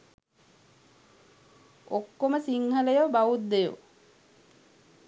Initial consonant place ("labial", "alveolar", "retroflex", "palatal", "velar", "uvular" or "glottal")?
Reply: velar